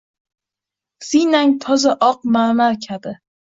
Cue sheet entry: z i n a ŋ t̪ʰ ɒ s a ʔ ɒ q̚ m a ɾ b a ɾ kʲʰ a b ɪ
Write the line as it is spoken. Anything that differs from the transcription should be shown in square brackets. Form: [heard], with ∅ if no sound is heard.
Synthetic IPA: [s] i n a ŋ t̪ʰ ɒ [z] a ʔ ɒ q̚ m a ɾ [m] a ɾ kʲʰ a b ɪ